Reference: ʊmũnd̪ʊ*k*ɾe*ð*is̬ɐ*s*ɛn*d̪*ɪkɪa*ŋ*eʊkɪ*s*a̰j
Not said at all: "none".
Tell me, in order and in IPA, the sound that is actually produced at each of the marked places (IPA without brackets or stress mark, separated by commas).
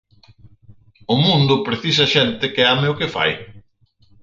p, θ, ʃ, t̪, m, f